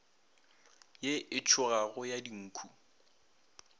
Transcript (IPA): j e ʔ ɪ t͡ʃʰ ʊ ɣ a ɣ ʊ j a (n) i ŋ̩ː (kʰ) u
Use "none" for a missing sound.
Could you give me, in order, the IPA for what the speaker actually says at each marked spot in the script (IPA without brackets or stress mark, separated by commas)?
d, kʰ